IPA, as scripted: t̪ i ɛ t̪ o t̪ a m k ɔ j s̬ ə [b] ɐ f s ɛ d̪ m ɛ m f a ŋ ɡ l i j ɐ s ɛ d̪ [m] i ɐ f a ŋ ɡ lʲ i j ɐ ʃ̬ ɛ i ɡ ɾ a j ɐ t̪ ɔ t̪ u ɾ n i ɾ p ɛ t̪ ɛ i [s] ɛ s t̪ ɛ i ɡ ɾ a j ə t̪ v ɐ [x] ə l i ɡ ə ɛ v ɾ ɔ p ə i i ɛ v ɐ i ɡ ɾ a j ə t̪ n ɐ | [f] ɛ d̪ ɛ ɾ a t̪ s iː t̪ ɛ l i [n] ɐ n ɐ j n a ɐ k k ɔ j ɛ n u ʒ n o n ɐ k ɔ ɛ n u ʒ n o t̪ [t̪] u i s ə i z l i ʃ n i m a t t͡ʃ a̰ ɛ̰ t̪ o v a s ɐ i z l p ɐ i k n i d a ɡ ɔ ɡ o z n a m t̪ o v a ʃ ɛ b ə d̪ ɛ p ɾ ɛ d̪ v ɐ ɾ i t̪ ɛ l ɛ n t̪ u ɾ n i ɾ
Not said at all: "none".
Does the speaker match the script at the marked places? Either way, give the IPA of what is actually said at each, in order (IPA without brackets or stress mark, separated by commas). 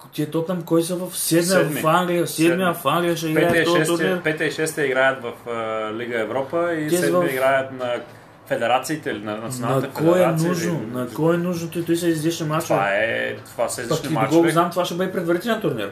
v, m, ʃ, f, f, n, t̪